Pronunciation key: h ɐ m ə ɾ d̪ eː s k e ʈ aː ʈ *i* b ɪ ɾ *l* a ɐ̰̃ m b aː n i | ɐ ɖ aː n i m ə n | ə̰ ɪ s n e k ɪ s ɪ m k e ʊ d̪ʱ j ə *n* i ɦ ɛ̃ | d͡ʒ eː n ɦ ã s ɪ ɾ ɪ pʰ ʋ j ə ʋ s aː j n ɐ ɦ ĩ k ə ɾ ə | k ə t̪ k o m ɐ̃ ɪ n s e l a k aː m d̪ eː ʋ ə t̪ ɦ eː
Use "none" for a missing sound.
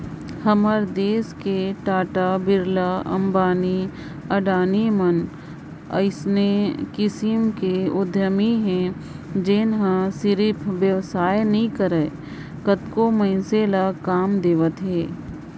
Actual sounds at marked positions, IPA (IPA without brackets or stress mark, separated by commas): a, l, m